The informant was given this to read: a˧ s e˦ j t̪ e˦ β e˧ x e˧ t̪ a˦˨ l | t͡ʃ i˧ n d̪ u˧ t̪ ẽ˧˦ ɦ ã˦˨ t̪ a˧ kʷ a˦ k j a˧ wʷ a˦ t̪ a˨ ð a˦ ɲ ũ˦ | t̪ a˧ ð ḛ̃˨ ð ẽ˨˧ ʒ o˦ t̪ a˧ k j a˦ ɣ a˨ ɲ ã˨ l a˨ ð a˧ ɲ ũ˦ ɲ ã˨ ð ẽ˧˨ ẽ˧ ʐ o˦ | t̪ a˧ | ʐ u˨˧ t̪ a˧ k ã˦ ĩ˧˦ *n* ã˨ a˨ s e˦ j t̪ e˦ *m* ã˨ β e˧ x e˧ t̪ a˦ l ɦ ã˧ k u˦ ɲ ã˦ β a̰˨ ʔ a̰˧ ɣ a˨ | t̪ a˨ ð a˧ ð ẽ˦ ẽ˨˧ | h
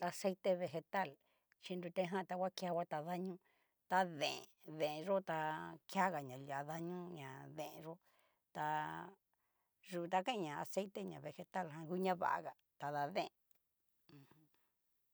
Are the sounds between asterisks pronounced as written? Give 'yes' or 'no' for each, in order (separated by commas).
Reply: no, no